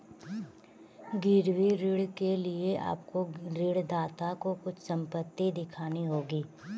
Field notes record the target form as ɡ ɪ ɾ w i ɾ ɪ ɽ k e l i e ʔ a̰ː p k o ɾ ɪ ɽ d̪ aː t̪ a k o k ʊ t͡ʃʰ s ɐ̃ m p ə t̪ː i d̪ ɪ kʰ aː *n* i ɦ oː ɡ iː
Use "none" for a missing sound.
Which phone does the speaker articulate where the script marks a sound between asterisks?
n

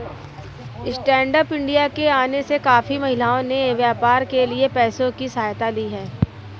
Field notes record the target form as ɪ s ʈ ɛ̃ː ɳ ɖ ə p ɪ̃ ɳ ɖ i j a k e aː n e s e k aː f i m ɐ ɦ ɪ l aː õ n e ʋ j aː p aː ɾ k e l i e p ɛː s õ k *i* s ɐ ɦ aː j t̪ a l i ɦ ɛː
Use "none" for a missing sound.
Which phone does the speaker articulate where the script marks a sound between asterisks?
i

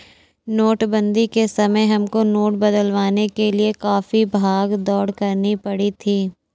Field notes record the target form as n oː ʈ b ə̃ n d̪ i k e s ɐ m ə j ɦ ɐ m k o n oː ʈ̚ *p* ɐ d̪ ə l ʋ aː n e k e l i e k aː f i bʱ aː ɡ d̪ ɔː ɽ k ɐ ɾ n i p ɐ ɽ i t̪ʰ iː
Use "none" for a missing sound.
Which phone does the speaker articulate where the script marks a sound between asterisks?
b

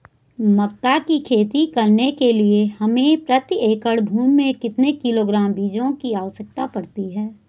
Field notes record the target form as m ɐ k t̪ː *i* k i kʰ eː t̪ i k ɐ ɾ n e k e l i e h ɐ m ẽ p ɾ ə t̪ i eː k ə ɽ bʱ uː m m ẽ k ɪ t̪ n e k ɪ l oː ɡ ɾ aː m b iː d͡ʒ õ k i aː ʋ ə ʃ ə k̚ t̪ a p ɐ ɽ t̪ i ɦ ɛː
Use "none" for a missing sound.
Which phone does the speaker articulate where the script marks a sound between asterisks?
a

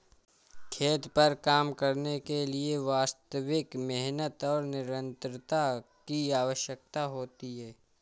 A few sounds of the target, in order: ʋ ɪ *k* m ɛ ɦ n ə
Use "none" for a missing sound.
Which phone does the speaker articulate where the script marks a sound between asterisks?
k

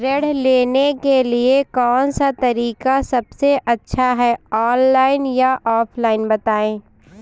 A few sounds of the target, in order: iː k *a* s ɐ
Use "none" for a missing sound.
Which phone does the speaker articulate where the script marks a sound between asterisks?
a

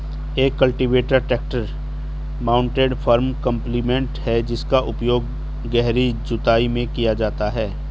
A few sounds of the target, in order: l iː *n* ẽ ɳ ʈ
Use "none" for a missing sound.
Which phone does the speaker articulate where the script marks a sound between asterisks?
m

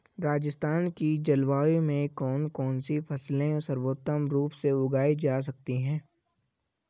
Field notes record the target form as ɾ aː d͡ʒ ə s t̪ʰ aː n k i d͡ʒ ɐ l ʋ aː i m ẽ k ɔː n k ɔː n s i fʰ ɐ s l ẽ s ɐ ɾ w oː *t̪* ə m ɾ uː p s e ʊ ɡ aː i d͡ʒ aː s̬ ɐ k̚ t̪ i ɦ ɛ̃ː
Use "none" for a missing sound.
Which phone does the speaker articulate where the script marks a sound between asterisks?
t̪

